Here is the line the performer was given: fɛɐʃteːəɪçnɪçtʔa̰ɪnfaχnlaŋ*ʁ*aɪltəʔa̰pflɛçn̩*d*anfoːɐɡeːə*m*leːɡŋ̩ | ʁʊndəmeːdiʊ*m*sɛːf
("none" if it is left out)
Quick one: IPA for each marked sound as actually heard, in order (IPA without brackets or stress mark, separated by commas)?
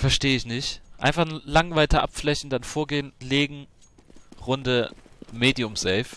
v, d, n, m